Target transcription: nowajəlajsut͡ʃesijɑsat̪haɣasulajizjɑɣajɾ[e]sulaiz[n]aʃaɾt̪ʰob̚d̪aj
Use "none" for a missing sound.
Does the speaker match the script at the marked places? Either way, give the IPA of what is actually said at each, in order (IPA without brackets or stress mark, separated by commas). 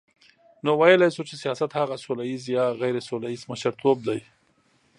e, m